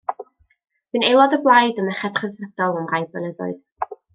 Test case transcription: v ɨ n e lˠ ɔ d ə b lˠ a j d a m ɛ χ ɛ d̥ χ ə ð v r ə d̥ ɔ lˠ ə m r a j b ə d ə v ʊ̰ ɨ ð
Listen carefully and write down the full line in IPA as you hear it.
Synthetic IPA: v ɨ n e lˠ ɔ d ə b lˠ a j d ə m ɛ χ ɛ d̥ χ ə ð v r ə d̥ ɔ lˠ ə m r a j b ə n ə ð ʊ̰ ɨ ð